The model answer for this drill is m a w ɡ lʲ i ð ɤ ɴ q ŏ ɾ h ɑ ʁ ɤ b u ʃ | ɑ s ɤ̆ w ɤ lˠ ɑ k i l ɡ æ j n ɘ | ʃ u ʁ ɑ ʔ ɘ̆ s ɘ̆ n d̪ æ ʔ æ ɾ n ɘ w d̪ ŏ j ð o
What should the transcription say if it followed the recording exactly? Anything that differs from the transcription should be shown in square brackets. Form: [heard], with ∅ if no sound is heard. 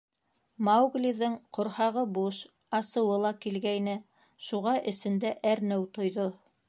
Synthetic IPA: m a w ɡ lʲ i ð ɤ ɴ q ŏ ɾ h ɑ ʁ ɤ b u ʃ | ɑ s ɤ̆ w ɤ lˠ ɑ k i l ɡ æ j n ɘ | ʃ u ʁ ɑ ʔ ɘ̆ s ɘ̆ n d̪ æ ʔ æ ɾ n ɘ w [t̪] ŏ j ð o